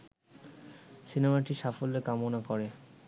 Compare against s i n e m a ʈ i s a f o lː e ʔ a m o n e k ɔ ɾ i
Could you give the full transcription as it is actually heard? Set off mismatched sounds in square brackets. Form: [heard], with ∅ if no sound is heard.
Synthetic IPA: s i n e m a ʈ i [ʃ] a f o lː e [k] a m o n [a] k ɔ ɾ [e]